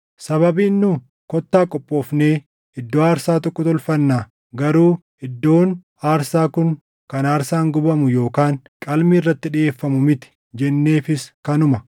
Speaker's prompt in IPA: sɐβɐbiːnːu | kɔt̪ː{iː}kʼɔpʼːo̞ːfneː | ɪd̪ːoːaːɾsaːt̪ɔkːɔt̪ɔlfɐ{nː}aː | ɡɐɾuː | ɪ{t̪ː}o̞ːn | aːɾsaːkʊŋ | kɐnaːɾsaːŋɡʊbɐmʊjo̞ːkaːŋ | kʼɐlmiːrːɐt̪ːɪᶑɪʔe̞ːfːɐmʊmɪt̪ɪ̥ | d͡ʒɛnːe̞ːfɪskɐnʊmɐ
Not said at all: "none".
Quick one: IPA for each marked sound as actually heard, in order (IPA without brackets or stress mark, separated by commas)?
aː, nː, d̪ː